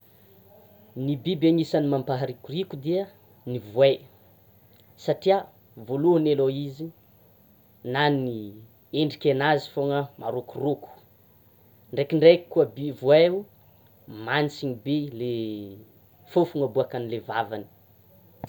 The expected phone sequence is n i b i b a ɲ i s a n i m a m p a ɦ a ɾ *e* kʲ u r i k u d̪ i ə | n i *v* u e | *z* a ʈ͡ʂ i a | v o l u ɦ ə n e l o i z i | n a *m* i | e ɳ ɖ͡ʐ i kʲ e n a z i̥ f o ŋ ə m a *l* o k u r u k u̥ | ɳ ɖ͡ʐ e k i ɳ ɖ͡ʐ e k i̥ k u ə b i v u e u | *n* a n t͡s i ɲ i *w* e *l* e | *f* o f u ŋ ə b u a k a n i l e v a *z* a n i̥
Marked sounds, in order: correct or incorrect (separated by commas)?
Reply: incorrect, correct, incorrect, incorrect, incorrect, incorrect, incorrect, correct, correct, incorrect